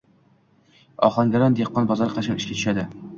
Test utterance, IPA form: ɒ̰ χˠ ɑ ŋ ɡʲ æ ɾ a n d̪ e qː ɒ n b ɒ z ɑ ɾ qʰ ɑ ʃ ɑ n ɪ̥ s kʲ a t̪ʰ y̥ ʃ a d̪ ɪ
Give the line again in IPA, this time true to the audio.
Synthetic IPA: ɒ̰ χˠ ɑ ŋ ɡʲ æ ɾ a n d̪ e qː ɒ n b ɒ z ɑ ɾ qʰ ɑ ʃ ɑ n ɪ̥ ʃ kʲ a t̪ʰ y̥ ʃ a d̪ ɪ